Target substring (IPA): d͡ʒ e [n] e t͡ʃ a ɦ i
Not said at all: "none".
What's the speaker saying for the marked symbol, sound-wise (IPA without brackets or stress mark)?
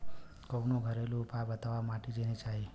n